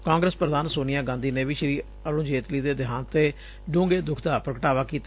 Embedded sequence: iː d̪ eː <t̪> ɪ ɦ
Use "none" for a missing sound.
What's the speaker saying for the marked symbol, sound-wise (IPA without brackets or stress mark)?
d̪